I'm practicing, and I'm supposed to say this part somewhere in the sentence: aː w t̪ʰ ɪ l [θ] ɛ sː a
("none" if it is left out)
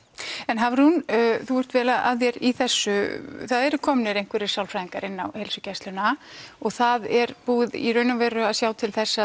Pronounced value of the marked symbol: θ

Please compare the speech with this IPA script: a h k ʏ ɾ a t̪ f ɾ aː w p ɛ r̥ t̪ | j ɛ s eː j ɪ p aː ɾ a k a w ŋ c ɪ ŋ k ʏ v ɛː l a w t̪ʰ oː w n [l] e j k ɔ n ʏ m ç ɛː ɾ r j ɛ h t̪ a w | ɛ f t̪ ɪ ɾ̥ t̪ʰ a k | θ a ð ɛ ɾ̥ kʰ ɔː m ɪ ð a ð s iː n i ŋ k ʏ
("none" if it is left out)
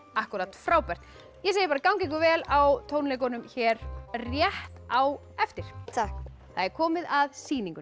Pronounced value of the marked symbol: l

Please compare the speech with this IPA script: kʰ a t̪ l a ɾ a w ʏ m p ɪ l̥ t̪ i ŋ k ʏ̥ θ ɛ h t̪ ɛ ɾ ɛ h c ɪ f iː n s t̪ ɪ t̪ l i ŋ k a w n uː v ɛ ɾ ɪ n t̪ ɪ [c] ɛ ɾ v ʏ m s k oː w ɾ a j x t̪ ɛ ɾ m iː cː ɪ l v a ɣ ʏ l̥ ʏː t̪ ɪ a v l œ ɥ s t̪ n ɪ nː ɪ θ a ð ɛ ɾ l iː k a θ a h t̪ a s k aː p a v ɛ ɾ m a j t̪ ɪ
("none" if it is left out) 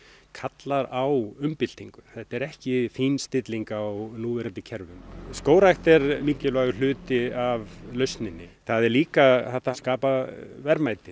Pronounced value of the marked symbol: cʰ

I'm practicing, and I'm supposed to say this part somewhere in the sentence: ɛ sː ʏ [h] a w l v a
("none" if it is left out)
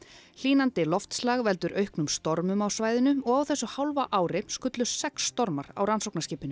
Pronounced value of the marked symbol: h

